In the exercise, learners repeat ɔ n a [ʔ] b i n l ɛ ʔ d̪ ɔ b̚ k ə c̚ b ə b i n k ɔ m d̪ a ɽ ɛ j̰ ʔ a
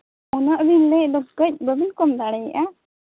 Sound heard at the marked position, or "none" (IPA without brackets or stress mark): ʔ